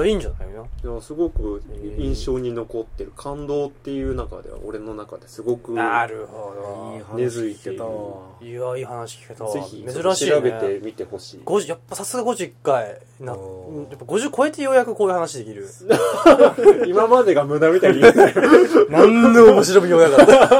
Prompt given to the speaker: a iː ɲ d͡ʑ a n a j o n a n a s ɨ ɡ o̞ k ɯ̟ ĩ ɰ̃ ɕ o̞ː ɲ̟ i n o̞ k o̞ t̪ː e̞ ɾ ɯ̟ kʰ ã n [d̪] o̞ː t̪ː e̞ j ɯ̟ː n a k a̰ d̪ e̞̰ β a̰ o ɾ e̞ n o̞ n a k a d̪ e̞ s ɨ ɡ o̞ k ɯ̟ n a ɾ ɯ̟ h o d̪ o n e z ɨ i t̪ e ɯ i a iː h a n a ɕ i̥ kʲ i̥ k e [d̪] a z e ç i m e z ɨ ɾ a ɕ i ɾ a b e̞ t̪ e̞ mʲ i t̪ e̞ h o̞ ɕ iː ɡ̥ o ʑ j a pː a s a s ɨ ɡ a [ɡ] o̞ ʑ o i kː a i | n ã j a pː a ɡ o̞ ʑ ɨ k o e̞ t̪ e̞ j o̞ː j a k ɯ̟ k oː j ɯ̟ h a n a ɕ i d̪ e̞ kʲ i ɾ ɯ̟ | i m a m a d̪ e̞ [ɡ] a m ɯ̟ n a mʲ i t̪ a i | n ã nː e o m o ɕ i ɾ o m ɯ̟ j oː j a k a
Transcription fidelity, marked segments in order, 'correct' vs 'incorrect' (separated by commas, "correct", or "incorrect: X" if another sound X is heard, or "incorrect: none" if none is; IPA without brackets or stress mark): correct, incorrect: t̪, correct, correct